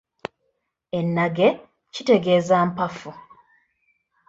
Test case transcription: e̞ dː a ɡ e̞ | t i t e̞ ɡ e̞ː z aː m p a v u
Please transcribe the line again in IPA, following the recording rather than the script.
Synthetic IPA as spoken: e̞ nː a ɡ e̞ | c i t e̞ ɡ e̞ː z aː m p a f u